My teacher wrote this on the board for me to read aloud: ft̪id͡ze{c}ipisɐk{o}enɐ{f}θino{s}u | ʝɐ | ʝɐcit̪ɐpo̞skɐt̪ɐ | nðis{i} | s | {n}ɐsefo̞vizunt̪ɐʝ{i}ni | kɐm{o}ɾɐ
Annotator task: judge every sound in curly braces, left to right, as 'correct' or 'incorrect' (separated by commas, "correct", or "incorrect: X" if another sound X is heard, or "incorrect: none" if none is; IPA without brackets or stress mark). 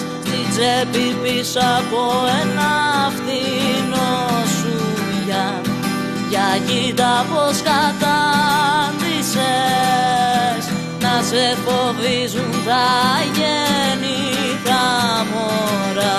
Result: incorrect: p, correct, correct, correct, incorrect: e, correct, incorrect: e, correct